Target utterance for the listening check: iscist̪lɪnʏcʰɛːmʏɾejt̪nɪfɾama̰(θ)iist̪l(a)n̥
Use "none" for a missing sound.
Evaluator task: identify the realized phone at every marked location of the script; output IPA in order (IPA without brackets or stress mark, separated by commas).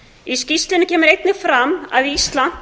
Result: ð, a